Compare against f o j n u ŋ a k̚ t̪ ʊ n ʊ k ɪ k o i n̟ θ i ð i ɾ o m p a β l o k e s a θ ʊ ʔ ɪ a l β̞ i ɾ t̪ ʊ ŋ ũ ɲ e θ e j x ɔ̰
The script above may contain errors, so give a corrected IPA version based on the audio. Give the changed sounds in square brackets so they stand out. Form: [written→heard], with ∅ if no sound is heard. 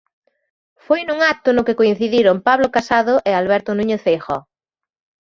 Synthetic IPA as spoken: f o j n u ŋ a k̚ t̪ ʊ n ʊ k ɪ k o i n̟ θ i ð i ɾ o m p a β l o k [e→a] s a [θ→ð] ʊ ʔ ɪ a l β̞ [i→ɛ] ɾ t̪ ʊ [ŋ→n] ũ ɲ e θ e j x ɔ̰